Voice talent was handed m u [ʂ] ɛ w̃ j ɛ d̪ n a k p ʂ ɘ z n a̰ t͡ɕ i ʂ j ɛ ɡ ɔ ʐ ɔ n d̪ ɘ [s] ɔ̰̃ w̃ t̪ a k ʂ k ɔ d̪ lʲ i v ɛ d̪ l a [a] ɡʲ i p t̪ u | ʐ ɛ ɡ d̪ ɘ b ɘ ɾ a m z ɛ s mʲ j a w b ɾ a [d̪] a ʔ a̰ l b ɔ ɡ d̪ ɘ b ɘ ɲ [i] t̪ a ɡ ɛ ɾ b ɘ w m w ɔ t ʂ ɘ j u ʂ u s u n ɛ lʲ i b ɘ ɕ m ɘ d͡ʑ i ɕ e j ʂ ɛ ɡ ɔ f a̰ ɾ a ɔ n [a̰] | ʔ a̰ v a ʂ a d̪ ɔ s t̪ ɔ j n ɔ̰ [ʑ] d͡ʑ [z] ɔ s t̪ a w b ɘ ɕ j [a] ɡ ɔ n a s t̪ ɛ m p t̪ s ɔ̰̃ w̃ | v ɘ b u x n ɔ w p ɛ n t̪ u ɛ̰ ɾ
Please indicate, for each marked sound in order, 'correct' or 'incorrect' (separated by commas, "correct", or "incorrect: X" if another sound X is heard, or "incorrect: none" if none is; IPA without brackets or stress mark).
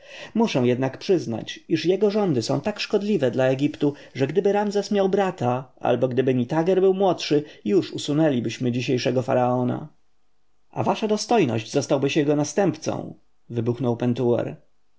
correct, correct, incorrect: ɛ, incorrect: t̪, correct, correct, correct, correct, incorrect: ɛ